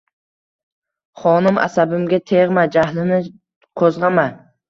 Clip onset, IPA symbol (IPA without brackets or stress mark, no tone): χ